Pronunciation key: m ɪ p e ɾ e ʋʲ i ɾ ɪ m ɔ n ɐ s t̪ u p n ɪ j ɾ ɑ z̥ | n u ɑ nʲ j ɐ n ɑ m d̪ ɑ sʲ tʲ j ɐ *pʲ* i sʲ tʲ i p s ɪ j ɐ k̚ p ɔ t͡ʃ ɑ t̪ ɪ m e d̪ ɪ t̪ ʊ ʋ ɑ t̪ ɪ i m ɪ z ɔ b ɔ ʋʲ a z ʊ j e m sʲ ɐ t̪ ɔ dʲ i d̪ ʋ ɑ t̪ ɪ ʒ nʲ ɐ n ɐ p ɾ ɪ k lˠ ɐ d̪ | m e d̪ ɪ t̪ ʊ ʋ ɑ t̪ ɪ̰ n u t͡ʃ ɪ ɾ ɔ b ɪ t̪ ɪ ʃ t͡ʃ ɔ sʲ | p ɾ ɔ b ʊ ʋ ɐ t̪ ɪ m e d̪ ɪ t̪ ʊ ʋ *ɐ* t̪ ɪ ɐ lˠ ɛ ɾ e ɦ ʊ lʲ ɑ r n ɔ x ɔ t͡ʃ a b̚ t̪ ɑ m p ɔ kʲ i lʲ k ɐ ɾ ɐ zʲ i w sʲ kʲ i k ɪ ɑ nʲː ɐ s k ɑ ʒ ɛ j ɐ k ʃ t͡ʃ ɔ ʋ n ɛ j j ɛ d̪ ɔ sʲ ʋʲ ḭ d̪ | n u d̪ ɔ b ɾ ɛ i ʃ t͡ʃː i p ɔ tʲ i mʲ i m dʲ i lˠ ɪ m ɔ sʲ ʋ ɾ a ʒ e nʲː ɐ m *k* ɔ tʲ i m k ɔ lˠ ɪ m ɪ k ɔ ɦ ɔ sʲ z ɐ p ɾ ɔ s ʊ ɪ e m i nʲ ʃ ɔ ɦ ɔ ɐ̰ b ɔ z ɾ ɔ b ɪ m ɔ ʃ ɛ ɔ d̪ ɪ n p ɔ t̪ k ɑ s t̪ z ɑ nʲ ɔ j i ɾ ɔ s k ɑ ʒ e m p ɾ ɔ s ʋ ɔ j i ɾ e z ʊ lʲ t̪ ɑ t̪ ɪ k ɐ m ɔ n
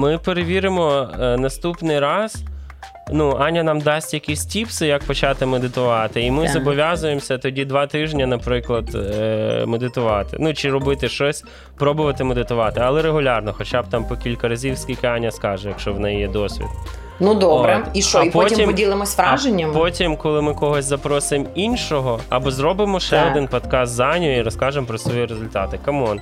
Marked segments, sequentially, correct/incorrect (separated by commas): incorrect, incorrect, incorrect